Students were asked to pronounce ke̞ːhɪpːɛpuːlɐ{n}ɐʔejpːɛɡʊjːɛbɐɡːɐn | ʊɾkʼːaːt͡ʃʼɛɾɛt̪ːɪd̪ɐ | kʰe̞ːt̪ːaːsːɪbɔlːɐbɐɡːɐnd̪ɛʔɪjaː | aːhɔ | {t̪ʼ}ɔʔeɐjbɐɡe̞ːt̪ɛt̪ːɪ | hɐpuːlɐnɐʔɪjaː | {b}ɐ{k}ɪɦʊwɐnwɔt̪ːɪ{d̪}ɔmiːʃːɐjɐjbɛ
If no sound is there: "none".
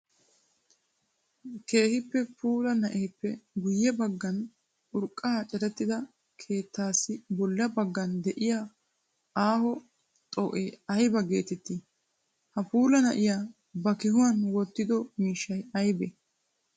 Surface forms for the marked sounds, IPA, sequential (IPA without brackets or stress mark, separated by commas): n, t̪ʼ, b, k, d̪